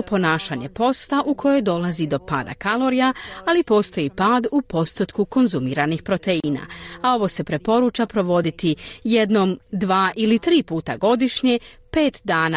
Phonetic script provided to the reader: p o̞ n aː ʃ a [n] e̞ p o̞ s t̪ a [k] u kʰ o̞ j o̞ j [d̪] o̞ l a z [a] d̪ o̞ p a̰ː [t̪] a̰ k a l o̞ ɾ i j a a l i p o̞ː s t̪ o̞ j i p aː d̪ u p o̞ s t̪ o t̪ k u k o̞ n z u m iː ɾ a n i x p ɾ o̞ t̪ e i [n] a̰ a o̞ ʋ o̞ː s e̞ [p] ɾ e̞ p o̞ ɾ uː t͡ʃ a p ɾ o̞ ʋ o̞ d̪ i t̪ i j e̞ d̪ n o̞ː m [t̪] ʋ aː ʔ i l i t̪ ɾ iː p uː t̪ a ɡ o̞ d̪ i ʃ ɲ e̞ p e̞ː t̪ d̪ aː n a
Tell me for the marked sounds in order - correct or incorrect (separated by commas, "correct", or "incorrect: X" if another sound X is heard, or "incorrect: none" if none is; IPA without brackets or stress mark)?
incorrect: ɲ, incorrect: ʔ, correct, incorrect: i, incorrect: d̪, correct, correct, incorrect: d̪